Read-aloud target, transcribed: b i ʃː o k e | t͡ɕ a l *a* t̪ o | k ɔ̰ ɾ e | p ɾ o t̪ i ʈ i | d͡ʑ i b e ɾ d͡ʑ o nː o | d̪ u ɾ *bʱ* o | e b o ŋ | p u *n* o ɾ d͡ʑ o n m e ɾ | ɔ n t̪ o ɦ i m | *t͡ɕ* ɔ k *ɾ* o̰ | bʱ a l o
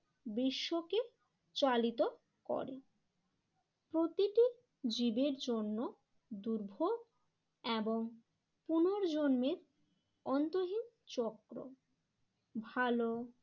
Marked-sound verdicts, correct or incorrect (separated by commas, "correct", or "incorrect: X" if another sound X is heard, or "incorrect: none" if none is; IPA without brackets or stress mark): incorrect: i, correct, correct, correct, correct